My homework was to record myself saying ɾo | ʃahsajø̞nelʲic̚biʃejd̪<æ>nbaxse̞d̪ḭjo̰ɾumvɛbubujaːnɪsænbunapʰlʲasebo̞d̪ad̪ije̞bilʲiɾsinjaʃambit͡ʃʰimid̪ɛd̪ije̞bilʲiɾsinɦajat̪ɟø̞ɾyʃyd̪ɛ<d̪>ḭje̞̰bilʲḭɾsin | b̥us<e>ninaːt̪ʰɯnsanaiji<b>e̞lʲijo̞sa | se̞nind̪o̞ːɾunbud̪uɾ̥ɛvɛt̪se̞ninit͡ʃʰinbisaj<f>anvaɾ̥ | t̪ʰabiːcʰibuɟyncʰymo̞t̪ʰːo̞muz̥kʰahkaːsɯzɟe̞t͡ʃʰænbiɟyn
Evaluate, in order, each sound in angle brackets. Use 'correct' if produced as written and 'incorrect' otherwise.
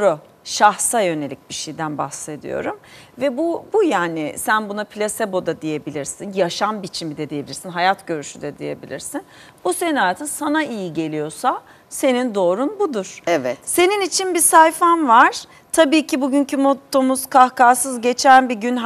correct, correct, correct, incorrect: ɟ, correct

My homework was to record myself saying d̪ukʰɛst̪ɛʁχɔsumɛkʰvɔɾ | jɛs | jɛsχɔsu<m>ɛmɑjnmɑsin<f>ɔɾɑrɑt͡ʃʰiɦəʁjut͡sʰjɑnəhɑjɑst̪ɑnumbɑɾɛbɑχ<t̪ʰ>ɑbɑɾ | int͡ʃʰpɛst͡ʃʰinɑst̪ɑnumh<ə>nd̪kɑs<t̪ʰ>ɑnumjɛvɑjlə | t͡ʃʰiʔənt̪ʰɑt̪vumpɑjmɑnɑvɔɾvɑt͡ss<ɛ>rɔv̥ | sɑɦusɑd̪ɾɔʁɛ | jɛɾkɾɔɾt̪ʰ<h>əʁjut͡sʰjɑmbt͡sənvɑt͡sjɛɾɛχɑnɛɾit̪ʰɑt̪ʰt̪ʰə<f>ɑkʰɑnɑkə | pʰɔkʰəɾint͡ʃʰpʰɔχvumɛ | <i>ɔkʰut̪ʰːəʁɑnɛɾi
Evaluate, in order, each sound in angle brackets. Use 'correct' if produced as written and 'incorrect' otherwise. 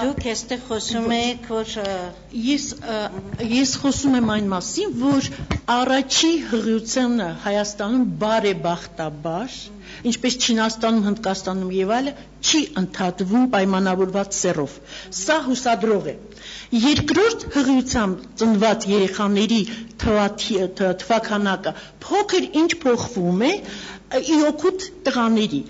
correct, incorrect: v, incorrect: t̪, correct, incorrect: t̪, correct, correct, incorrect: v, correct

